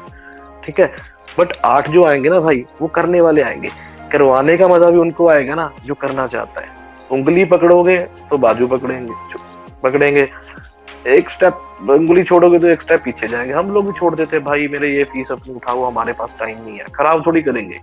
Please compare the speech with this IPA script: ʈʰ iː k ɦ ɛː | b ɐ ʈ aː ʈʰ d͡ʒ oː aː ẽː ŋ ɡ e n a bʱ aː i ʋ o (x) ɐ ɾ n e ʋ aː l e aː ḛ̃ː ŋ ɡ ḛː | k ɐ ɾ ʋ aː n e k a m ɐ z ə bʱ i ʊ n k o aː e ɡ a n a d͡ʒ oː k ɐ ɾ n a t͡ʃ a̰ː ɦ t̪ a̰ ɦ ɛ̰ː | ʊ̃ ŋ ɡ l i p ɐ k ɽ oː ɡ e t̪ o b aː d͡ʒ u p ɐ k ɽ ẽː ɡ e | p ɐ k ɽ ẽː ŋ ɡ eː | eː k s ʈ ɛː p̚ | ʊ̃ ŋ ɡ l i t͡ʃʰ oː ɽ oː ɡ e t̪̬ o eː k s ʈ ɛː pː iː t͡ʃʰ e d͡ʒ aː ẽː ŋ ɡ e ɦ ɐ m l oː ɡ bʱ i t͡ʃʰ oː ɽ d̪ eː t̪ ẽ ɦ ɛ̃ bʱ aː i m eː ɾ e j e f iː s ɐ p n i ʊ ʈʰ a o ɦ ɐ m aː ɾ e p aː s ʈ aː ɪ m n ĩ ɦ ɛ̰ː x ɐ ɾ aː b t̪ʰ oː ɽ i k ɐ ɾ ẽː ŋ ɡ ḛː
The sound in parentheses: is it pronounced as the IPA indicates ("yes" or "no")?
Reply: no